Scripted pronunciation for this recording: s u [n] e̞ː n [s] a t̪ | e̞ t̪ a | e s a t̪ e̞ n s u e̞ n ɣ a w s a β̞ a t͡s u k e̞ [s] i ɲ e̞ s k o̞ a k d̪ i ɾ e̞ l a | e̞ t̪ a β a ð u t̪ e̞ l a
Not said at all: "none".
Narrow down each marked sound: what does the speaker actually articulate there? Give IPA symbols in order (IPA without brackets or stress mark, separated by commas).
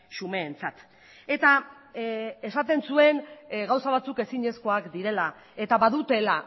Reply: m, t͡s, s